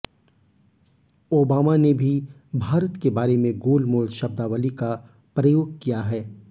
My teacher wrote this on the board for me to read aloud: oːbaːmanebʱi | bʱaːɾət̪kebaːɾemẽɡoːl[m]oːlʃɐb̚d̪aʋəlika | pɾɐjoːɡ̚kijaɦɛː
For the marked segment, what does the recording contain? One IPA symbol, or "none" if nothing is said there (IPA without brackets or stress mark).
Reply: m